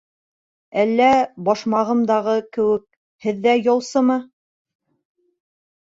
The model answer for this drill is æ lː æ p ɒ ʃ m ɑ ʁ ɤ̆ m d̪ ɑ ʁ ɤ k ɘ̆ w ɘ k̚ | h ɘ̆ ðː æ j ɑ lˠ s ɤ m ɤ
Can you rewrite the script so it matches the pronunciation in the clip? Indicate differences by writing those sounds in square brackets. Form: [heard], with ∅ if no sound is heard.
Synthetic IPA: æ lː æ [b] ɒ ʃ m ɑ ʁ ɤ̆ m d̪ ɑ ʁ ɤ k ɘ̆ w ɘ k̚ | h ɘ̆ ðː æ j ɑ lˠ s ɤ m ɤ